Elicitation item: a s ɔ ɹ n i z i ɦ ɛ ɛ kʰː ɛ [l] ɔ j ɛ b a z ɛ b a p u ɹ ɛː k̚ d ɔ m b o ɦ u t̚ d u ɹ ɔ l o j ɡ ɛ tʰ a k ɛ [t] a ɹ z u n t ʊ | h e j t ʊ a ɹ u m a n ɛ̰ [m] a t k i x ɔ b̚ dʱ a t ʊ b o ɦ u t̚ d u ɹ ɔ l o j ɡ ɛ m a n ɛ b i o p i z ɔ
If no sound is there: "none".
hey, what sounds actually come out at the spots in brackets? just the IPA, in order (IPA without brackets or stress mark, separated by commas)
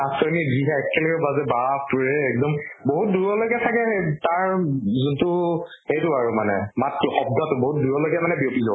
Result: l, t, m